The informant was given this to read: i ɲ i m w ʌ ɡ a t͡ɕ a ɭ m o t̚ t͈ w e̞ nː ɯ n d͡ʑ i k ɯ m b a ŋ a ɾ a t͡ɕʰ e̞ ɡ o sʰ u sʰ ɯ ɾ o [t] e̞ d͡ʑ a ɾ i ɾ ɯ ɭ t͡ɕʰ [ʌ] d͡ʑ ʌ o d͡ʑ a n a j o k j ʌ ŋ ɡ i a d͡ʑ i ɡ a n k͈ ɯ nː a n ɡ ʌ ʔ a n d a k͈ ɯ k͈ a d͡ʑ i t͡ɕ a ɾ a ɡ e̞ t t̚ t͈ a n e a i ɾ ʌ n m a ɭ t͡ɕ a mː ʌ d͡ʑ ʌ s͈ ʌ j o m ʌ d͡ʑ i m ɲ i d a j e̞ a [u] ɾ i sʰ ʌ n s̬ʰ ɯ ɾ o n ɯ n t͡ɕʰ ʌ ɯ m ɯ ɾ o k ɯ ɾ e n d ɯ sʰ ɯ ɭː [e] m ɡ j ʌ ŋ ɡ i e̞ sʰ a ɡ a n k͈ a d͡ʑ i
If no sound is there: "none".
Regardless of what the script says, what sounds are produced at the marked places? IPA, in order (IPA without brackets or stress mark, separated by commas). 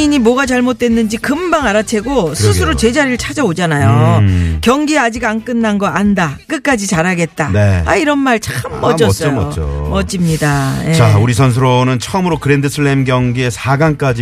t͡ɕ, a, u, e